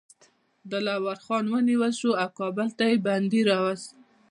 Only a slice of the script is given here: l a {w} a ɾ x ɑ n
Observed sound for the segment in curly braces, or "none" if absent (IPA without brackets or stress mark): w